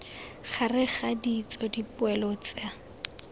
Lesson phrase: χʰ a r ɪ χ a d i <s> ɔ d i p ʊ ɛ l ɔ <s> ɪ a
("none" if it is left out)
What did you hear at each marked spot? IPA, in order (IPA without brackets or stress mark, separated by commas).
t͡s, t͡s